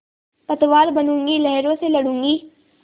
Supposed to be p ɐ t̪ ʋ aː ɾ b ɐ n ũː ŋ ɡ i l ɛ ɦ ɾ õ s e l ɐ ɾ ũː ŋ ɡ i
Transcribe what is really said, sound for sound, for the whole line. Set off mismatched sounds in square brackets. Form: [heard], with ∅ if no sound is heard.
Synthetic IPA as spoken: p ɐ t̪ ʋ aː ɾ b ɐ n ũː ŋ ɡ i l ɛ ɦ ɾ õ s e l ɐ [ɽ] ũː ŋ ɡ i